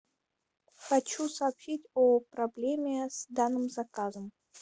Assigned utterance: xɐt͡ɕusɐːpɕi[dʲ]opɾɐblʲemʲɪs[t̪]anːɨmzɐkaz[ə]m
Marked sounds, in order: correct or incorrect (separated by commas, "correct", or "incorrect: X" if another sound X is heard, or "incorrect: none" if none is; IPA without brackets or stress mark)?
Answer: incorrect: tʲ, incorrect: d̪, correct